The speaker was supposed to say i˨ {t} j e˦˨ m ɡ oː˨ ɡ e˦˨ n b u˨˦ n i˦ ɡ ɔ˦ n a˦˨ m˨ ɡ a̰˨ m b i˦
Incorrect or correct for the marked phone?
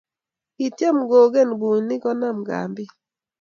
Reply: correct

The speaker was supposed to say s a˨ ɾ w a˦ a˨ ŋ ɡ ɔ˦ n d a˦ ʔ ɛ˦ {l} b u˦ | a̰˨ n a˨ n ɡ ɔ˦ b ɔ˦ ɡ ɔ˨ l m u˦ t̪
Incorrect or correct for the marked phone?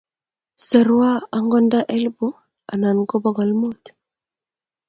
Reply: correct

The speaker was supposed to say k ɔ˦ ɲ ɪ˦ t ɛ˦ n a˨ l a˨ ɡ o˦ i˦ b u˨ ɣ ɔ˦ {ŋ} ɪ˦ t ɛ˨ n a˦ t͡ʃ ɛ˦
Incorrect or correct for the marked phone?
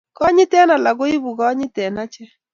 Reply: incorrect: ɲ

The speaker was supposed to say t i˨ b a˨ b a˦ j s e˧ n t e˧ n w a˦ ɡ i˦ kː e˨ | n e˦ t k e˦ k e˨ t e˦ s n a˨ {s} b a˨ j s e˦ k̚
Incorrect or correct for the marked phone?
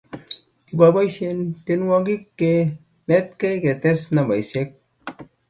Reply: incorrect: none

